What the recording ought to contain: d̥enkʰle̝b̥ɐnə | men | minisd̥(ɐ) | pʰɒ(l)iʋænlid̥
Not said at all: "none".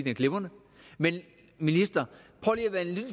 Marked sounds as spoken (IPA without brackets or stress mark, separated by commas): ɐ, l